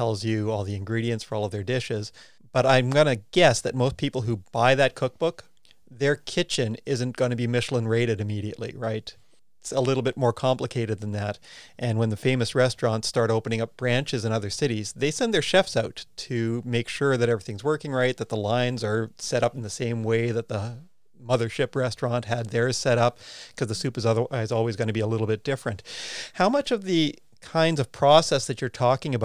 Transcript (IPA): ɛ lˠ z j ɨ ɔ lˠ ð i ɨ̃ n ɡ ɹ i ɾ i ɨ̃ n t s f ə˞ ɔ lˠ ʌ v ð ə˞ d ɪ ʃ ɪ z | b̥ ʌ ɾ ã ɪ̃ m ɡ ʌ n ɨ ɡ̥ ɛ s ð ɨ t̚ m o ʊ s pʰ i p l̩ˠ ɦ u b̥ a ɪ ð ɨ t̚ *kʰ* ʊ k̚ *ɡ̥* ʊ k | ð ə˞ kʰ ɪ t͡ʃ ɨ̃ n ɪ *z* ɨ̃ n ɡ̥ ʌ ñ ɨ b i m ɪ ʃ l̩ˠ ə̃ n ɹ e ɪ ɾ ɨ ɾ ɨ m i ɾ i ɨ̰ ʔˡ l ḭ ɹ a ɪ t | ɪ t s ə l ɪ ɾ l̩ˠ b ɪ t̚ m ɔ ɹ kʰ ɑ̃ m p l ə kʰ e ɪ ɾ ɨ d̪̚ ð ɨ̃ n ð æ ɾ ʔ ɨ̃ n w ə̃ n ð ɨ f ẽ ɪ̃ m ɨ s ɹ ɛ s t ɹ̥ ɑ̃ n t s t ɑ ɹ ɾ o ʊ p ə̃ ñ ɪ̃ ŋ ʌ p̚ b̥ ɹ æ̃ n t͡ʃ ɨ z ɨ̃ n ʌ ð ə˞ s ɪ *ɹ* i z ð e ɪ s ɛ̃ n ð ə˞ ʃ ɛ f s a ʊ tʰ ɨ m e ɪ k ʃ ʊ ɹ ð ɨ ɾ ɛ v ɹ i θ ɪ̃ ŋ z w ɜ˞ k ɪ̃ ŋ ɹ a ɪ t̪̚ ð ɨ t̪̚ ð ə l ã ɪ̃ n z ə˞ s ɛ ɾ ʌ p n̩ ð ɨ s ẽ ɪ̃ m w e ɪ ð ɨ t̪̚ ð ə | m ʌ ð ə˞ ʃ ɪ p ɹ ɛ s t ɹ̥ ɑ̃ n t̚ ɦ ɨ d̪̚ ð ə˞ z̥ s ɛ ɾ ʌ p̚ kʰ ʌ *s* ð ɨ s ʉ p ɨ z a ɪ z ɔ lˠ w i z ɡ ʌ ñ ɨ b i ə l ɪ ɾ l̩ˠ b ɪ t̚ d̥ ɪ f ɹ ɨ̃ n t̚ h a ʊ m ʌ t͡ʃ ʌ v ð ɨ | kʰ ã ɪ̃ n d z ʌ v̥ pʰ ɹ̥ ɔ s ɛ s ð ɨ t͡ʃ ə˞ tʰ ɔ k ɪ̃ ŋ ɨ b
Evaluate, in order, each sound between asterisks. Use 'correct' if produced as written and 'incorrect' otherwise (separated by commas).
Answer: correct, incorrect, correct, incorrect, incorrect